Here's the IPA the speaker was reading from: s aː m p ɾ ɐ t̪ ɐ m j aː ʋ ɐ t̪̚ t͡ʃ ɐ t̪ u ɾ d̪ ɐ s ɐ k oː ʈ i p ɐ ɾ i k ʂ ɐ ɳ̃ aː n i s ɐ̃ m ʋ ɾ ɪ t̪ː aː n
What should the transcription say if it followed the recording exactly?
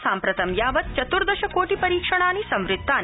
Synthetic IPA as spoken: s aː m p ɾ ɐ t̪ ɐ m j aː ʋ ɐ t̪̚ t͡ʃ ɐ t̪ u ɾ d̪ ɐ ʃ ɐ k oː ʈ i p ɐ ɾ iː k ʂ ɐ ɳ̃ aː n i s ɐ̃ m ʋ ɾ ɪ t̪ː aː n

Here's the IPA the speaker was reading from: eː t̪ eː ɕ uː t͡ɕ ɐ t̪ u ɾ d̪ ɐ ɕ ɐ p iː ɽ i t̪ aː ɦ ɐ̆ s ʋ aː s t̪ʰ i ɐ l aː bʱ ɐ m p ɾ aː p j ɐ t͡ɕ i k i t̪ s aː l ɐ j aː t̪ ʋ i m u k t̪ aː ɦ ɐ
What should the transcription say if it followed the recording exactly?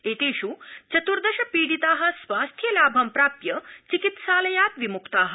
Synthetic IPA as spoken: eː t̪ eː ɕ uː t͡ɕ ɐ t̪ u ɾ d̪ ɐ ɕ ɐ p iː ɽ i t̪ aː ɦ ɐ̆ s ʋ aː s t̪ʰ j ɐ l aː bʱ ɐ m p ɾ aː p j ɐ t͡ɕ i k i t̪ s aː l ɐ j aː t̪ ʋ i m u k t̪ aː ɦ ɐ

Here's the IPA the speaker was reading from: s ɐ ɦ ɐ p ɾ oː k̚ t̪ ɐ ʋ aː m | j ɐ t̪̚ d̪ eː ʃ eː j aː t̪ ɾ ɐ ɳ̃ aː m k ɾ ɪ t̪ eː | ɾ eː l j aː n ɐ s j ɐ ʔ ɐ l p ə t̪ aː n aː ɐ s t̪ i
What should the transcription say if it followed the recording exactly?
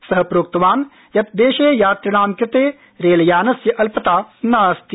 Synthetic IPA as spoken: s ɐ ɦ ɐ p ɾ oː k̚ t̪ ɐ ʋ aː n | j ɐ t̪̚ d̪ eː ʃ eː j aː t̪ ɾ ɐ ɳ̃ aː m k ɾ ɪ t̪ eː | ɾ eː l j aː n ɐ s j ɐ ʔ ɐ l p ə t̪ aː n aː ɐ s t̪ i

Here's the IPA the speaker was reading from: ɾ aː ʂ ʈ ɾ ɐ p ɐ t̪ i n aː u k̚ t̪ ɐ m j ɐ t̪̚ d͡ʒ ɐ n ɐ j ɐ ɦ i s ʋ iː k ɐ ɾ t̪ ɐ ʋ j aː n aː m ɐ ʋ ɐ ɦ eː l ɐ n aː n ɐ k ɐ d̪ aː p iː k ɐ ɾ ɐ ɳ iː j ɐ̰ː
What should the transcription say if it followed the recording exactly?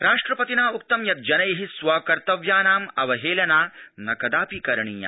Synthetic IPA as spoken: ɾ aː ʂ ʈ ɾ ɐ p ɐ t̪ i n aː u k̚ t̪ ɐ m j ɐ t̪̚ d͡ʒ ɐ n ɐ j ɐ ɦ i s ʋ aː k ɐ ɾ t̪ ɐ ʋ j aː n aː m ɐ ʋ ɐ ɦ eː l ɐ n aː n ɐ k ɐ d̪ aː p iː k ɐ ɾ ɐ ɳ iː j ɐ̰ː

